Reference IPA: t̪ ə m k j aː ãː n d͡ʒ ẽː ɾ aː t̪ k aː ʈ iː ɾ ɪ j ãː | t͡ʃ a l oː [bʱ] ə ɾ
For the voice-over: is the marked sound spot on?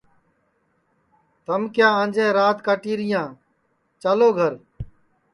no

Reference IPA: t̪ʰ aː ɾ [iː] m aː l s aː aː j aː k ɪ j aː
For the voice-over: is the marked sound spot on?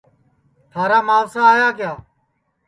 no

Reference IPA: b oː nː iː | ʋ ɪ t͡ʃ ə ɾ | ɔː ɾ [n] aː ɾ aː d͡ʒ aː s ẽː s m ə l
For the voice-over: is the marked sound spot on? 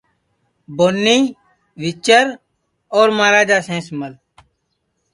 no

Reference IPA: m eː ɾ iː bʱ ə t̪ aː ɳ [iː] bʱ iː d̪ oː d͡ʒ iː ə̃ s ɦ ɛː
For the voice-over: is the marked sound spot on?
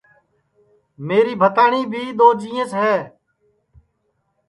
yes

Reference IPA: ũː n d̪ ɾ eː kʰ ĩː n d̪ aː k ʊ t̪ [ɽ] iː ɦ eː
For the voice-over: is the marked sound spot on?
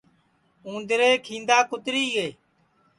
no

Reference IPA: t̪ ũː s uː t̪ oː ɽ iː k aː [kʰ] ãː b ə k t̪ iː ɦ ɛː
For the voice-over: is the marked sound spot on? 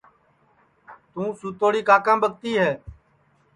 no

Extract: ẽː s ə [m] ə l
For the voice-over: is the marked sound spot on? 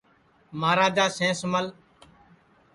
yes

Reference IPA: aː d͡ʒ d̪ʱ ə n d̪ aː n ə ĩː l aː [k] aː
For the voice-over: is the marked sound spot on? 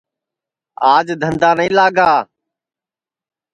no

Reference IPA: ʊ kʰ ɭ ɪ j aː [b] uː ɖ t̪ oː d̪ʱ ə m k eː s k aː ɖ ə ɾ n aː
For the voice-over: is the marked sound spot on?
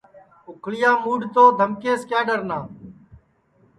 no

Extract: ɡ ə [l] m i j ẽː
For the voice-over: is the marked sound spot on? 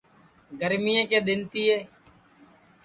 no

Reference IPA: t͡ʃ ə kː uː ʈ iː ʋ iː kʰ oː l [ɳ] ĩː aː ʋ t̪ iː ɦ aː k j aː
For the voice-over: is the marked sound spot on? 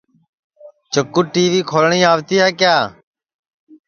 yes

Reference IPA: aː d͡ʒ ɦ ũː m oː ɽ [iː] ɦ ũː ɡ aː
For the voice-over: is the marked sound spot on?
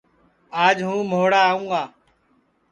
no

